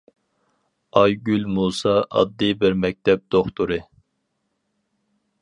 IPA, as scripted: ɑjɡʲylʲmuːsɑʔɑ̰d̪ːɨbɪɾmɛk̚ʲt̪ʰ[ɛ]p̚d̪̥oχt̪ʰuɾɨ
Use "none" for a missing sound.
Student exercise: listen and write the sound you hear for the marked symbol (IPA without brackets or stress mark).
ɛ